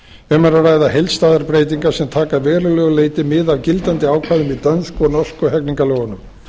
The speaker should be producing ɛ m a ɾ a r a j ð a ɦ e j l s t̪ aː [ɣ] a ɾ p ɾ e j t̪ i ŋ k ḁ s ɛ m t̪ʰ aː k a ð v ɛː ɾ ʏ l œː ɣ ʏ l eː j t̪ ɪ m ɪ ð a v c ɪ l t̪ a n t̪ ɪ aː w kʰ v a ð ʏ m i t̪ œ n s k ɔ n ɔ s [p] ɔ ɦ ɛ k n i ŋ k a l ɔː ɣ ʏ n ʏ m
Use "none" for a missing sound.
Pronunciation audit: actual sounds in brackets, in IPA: ð, k

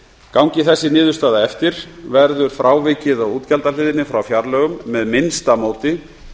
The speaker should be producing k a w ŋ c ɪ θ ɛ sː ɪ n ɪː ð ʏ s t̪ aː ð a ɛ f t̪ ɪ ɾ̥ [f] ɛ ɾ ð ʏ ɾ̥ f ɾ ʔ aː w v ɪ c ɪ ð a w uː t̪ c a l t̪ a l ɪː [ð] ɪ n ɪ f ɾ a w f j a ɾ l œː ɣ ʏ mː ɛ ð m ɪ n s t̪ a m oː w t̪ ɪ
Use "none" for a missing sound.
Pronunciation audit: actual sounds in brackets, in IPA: v, ð

